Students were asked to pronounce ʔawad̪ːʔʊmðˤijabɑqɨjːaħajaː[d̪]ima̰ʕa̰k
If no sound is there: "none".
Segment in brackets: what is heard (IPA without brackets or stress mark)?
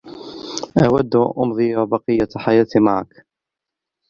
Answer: t̪